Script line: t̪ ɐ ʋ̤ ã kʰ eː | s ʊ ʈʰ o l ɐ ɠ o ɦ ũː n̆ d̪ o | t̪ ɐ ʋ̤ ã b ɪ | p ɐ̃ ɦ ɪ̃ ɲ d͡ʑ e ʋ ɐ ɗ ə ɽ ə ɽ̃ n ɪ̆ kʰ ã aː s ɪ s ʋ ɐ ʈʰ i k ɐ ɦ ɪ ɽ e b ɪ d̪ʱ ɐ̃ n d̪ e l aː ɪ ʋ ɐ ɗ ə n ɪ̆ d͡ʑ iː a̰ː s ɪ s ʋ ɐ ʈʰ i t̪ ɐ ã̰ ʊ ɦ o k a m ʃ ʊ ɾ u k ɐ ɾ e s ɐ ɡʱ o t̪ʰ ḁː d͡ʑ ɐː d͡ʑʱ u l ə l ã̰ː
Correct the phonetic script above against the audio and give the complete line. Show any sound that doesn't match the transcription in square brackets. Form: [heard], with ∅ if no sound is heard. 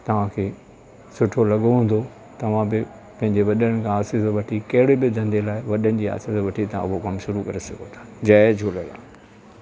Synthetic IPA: t̪ ɐ ʋ̤ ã kʰ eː | s ʊ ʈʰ o l ɐ ɠ o ɦ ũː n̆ d̪ o | t̪ ɐ ʋ̤ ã b ɪ | p ɐ̃ ɦ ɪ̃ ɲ d͡ʑ e ʋ ɐ ɗ ə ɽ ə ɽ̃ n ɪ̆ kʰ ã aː s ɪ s ʋ ɐ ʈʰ i k ɐ ɦ ɪ ɽ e b ɪ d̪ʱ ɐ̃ n d̪ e l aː ɪ ʋ ɐ ɗ ə n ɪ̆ d͡ʑ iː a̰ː s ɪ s ʋ ɐ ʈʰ i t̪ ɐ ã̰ ʊ ɦ o k [ɐ] m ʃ ʊ ɾ u k ɐ ɾ e s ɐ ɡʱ o t̪ʰ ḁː d͡ʑ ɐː d͡ʑʱ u l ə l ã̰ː

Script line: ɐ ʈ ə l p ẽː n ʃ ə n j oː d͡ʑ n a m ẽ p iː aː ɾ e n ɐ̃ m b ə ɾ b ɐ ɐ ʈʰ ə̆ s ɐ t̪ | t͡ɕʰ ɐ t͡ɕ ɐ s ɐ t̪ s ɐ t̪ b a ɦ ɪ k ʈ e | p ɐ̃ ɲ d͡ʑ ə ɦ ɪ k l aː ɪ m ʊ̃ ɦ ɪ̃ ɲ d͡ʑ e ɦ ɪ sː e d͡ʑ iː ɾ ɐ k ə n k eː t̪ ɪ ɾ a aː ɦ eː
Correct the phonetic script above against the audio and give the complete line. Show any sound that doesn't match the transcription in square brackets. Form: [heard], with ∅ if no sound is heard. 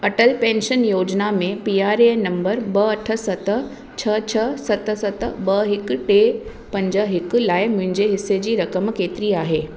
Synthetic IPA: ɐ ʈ ə l p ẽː n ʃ ə n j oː d͡ʑ n a m ẽ p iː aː ɾ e n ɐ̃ m b ə ɾ b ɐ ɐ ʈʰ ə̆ s ɐ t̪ | t͡ɕʰ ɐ [t͡ɕʰ] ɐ s ɐ t̪ s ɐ t̪ b [ɐ] ɦ ɪ k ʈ e | p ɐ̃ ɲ d͡ʑ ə ɦ ɪ k l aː ɪ m ʊ̃ ɦ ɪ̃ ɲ d͡ʑ e ɦ ɪ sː e d͡ʑ iː ɾ ɐ k ə [m] k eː t̪ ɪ ɾ [i] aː ɦ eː

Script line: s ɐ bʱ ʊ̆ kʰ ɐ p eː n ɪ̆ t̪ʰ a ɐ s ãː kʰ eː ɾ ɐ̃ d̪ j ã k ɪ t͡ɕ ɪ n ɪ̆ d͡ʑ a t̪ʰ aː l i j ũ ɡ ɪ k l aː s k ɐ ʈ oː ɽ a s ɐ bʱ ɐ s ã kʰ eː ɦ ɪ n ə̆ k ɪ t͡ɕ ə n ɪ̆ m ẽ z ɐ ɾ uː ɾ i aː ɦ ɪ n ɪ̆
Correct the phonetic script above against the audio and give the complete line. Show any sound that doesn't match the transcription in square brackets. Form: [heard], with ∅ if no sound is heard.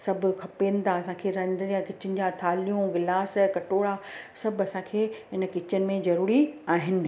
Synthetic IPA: s ɐ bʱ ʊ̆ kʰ ɐ p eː n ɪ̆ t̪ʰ a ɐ s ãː kʰ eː ɾ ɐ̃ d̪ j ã k ɪ t͡ɕ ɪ n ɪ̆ d͡ʑ a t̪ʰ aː l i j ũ ɡ ɪ [∅] l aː s k ɐ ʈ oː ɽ a s ɐ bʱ ɐ s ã kʰ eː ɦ ɪ n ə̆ k ɪ t͡ɕ ə n ɪ̆ m ẽ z ɐ ɾ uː ɾ i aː ɦ ɪ n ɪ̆

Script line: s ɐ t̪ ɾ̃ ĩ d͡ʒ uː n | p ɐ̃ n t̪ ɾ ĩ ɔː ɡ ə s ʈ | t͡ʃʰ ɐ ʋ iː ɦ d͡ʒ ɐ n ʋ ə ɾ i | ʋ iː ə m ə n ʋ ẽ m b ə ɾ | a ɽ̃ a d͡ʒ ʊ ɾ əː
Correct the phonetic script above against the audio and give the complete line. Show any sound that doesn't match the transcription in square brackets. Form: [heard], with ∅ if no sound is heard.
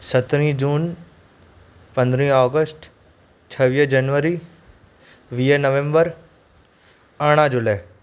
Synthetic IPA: s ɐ t̪ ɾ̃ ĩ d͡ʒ uː n | p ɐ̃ n [d̪] ɾ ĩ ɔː ɡ ə s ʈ | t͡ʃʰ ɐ ʋ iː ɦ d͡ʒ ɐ n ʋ ə ɾ i | ʋ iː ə [n] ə [∅] ʋ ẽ m b ə ɾ | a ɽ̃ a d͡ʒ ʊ [l] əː

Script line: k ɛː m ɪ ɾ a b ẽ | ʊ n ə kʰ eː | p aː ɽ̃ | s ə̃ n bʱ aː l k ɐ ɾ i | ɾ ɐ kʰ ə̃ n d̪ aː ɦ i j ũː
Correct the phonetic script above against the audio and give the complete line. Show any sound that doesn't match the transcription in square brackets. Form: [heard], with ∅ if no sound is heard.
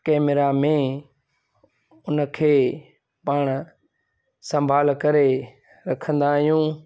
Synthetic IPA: k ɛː m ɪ ɾ a [m] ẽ | ʊ n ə kʰ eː | p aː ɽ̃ | s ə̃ [m] bʱ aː l k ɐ ɾ [e] | ɾ ɐ kʰ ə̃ n d̪ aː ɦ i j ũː

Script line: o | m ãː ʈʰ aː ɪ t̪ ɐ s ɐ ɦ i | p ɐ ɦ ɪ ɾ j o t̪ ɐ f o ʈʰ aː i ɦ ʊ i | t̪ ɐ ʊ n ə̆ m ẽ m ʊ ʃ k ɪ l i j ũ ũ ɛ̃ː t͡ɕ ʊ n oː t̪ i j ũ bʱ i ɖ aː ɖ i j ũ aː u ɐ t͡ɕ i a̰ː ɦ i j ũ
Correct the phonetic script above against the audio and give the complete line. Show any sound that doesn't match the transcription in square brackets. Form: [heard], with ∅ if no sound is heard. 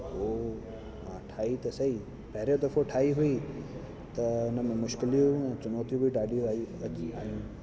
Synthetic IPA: o | m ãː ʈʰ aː [i] t̪ ɐ s ɐ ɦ i | p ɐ ɦ ɪ ɾ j o [d̪] ɐ f o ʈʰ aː i ɦ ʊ i | t̪ ɐ ʊ n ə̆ m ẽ m ʊ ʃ k ɪ l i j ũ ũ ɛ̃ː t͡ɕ ʊ n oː t̪ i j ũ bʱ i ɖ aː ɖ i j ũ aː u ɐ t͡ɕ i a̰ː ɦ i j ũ

